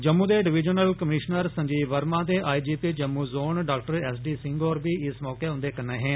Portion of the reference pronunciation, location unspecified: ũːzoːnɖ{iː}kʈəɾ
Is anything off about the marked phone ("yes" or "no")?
yes